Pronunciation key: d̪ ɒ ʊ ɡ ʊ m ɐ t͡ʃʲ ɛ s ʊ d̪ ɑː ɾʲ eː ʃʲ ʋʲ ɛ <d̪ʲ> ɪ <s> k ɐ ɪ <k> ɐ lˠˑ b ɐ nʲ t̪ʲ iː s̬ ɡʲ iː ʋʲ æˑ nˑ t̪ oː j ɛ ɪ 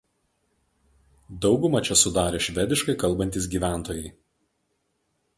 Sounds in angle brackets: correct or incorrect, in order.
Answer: correct, incorrect, correct

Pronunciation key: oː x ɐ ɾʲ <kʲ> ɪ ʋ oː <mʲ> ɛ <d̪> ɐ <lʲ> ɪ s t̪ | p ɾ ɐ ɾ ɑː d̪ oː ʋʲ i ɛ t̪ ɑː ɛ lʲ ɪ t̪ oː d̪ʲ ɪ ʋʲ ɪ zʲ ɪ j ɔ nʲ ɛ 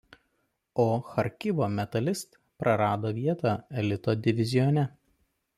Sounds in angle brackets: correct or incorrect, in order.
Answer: correct, correct, incorrect, correct

